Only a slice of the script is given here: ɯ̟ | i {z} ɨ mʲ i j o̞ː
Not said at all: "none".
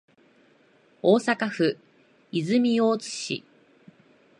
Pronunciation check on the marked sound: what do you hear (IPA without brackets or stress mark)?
z